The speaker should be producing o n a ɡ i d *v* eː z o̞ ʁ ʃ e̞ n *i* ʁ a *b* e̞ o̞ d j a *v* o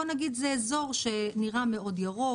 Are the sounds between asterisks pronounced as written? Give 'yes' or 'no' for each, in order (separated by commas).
no, yes, no, no